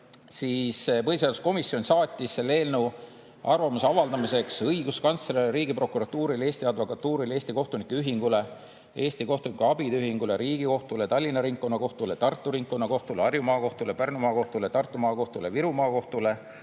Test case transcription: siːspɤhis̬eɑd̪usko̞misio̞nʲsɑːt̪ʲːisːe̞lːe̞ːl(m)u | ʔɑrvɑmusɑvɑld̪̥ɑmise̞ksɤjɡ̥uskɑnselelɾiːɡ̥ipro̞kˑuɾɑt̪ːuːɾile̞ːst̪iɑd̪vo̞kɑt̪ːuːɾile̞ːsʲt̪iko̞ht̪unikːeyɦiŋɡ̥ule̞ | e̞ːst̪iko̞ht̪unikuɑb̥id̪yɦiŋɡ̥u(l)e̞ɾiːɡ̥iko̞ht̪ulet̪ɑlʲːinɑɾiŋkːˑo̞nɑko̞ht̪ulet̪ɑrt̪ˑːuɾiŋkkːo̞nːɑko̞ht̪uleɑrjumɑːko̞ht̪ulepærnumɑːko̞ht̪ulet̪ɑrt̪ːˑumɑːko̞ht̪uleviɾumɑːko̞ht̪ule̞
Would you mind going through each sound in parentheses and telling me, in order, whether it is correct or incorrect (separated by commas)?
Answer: incorrect, correct